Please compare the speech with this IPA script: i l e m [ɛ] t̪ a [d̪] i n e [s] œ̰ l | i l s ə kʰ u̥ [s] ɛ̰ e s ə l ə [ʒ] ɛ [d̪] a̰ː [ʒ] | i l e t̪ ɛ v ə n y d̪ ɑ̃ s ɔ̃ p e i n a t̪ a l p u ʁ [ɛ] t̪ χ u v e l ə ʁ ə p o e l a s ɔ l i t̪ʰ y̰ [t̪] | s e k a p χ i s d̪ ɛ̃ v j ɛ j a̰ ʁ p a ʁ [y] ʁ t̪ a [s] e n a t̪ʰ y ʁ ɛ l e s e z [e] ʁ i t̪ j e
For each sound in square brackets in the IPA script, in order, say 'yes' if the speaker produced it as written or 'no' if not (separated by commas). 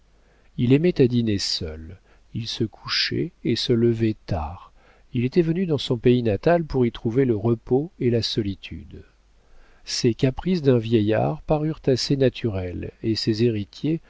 yes, yes, yes, no, no, no, no, no, no, yes, yes, yes